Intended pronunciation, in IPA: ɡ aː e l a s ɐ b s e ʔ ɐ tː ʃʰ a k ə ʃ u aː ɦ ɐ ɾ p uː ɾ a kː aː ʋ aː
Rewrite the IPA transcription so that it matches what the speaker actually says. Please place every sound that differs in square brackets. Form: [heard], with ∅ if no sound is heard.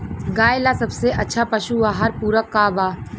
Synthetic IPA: ɡ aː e l a s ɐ b s e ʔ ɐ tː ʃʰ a [p] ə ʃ u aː ɦ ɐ ɾ p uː ɾ [ə] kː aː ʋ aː